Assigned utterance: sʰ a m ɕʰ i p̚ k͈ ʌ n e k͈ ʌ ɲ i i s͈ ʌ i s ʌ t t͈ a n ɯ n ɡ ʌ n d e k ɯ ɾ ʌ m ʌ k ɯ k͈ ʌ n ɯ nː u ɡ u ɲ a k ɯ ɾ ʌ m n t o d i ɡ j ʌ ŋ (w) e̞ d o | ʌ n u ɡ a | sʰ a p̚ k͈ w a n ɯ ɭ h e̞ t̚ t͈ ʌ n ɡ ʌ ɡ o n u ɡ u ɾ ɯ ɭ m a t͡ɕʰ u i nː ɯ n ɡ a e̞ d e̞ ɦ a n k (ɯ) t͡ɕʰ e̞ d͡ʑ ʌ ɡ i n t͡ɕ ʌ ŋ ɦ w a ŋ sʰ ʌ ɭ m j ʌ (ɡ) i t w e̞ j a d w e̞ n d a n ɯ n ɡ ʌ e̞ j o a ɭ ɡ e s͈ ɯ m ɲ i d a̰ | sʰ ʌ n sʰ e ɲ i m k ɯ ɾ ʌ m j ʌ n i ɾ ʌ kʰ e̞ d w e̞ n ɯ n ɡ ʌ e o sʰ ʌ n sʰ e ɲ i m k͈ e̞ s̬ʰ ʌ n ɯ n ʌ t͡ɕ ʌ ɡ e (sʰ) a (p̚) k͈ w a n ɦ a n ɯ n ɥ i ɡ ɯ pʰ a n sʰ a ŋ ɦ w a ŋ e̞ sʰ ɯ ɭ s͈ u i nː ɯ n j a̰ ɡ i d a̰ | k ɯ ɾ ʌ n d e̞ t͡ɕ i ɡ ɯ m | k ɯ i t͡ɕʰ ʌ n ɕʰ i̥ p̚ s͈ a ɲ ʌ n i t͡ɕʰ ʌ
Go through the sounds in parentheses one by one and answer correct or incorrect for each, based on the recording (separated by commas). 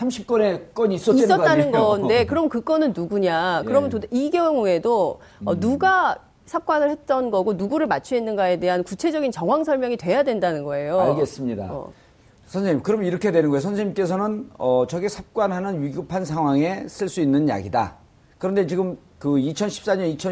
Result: incorrect, incorrect, incorrect, correct, correct